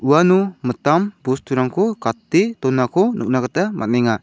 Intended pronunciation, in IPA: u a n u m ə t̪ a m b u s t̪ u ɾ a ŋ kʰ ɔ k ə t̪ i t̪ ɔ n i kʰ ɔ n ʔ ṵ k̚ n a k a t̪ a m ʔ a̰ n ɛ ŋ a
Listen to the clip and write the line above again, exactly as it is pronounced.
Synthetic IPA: u a n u m ə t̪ a m b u s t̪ u ɾ a ŋ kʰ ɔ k a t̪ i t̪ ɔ n a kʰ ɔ n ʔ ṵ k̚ n a k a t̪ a m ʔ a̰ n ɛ ŋ a

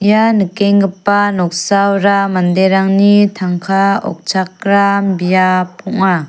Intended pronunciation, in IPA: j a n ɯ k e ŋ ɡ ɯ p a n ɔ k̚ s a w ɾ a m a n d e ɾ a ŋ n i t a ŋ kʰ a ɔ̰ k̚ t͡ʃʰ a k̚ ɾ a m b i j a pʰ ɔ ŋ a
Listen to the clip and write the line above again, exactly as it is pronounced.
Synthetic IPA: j a n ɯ k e ŋ ɡ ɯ p a n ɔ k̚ s a w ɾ a m a n d e ɾ a ŋ n i tʰ a ŋ kʰ a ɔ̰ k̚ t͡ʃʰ a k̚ ɾ a m b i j a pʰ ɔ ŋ a

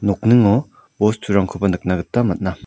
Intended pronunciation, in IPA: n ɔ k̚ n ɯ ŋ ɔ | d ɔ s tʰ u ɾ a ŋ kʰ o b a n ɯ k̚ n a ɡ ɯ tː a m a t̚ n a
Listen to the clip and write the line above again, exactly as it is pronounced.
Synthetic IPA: n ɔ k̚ n ɯ ŋ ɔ | b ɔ s tʰ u ɾ a ŋ kʰ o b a n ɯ k̚ n a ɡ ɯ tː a m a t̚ n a

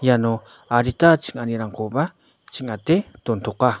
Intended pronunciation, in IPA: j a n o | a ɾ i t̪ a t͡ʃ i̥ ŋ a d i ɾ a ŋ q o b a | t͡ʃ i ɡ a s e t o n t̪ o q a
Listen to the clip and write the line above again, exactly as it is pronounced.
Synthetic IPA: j a n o | a ɾ i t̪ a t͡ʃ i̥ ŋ a n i ɾ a ŋ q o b a | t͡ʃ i ŋ a t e t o n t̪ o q a

